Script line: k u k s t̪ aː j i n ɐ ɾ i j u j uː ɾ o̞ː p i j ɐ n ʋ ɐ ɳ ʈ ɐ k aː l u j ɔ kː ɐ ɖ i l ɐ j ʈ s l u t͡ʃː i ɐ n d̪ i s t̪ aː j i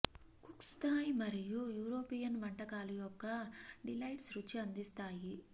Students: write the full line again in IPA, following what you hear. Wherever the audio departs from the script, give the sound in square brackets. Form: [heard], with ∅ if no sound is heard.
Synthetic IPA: k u k s t̪ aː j i [m] ɐ ɾ i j u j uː ɾ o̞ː p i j ɐ n ʋ ɐ ɳ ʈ ɐ k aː l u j ɔ kː ɐ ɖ i l ɐ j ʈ s [ɾ] u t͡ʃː i ɐ n d̪ i s t̪ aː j i